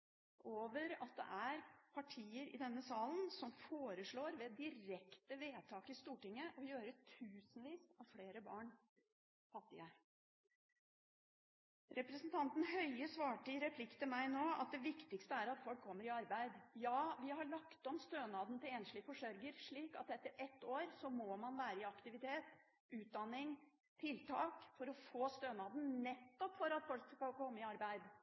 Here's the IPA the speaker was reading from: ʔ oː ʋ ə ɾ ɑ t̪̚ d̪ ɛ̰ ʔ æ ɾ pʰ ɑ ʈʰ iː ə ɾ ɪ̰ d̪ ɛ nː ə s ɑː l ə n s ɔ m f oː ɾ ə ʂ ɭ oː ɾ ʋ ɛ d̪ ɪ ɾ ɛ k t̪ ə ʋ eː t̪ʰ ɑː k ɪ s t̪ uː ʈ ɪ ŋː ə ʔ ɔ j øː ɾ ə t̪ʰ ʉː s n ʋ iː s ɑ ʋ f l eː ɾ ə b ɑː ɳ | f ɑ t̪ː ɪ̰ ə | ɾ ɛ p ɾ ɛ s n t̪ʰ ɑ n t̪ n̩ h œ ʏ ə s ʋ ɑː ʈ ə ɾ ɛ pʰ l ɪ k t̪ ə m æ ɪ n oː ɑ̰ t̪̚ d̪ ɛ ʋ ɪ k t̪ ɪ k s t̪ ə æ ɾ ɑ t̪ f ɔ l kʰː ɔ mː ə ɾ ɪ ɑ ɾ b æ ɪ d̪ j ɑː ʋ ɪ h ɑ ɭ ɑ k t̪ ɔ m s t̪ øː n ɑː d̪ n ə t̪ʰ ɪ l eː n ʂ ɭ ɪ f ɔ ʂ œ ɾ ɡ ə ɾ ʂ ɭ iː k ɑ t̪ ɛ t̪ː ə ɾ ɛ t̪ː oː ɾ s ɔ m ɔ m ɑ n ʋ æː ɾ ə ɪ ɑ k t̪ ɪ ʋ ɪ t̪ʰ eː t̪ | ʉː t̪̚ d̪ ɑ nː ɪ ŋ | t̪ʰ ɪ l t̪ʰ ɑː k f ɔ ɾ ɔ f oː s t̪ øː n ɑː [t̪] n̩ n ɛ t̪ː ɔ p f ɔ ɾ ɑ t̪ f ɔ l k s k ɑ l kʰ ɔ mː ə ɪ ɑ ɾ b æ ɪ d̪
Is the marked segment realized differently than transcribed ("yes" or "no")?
yes